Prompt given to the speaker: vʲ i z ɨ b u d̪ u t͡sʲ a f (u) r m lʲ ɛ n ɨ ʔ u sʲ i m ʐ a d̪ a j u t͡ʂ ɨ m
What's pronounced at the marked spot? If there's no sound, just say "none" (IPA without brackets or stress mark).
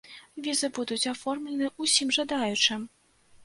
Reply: ɔ